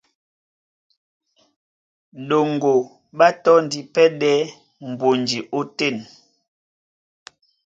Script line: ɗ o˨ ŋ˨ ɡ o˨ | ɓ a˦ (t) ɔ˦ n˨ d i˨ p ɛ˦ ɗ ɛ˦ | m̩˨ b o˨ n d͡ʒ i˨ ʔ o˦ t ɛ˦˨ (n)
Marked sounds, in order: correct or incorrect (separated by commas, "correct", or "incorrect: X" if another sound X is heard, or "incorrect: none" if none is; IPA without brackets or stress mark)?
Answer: correct, correct